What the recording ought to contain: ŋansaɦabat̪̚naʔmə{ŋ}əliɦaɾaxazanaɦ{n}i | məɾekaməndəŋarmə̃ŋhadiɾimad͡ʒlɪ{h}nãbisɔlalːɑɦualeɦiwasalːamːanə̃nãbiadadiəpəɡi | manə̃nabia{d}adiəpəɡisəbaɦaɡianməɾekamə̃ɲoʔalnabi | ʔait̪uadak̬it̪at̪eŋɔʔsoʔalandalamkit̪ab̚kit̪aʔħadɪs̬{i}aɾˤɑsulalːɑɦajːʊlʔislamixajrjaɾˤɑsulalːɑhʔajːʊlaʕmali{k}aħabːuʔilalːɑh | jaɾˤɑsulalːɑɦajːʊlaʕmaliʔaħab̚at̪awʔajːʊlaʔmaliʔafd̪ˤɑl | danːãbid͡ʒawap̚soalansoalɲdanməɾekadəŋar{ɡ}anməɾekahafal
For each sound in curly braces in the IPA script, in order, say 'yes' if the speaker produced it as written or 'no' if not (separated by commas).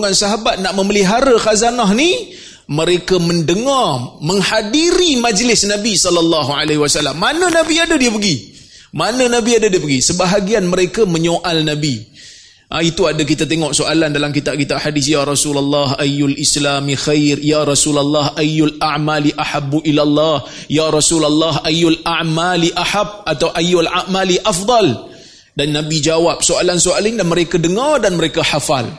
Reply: no, yes, no, yes, no, no, no